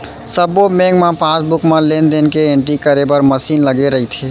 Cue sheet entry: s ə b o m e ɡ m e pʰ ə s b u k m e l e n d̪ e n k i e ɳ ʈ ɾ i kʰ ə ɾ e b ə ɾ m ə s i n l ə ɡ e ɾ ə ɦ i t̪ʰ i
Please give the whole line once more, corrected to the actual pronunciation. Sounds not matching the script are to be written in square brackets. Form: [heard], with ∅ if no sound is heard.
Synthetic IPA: s ə b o m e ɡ m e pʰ [a] s b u k m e l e n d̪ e n k [e] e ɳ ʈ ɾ i [k] ə ɾ e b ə ɾ m ə s i n l ə ɡ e ɾ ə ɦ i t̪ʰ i